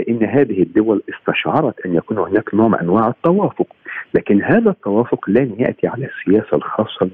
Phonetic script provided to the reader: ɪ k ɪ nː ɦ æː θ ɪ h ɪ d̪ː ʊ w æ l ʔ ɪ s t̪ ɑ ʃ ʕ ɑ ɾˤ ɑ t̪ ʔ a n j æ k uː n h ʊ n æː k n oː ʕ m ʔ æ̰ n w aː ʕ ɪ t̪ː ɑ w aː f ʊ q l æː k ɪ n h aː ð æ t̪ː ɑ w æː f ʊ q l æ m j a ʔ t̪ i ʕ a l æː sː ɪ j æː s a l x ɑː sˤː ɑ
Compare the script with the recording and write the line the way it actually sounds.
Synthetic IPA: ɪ ʔ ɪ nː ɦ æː ð ɪ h ɪ d̪ː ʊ w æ l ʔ ɪ s t̪ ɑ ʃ ʕ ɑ ɾˤ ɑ t̪ ʔ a n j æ k uː n h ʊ n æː k n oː ʕ m ʔ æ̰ n w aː ʕ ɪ t̪ː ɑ w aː f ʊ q l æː k ɪ n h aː ð æ t̪ː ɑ w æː f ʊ q l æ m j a ʔ t̪ i ʕ a l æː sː ɪ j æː s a l x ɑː sˤː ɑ